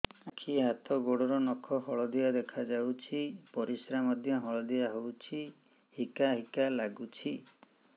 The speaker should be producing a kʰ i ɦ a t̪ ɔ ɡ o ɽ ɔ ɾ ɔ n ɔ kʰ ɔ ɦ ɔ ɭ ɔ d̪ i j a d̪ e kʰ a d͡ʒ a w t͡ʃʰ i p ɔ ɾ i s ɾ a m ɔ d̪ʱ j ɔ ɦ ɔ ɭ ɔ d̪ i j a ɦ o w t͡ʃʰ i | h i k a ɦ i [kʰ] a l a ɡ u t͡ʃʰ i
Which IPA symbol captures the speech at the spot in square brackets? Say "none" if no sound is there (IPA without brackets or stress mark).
k